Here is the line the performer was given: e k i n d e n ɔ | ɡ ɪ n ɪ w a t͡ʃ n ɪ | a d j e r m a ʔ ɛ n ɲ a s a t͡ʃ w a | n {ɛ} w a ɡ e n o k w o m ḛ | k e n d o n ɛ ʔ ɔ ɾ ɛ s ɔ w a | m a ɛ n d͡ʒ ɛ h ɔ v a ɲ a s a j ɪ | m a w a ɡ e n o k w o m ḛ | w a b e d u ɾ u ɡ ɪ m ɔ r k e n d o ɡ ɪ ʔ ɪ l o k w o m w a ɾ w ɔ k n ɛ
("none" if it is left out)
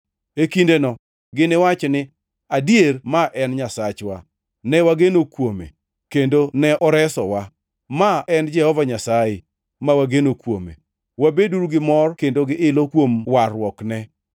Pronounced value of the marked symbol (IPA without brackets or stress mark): ɛ